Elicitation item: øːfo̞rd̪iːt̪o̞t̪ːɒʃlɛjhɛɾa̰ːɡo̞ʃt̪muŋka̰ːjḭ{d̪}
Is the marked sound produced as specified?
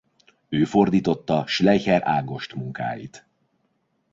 no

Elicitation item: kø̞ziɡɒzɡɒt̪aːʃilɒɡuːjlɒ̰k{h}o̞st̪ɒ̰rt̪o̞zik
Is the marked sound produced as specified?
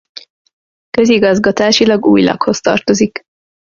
yes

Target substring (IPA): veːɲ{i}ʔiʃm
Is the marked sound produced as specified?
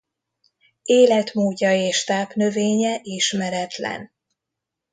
no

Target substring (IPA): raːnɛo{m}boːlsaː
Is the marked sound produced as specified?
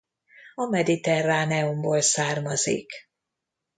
yes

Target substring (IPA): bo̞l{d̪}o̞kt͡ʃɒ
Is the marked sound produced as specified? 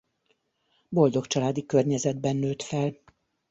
yes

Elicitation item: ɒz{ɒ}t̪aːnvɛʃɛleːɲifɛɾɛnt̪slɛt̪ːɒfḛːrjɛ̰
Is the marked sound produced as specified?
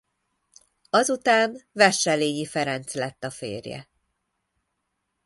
no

